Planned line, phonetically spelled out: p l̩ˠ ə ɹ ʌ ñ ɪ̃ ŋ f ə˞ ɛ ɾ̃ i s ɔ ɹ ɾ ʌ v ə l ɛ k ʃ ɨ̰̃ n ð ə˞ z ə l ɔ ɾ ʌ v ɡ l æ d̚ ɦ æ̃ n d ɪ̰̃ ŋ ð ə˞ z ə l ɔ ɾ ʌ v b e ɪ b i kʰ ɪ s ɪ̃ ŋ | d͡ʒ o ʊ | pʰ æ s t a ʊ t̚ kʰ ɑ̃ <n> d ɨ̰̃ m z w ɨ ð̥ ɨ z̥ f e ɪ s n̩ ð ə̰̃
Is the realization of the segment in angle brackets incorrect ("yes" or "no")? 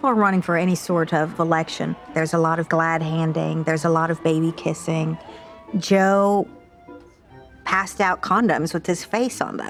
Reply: no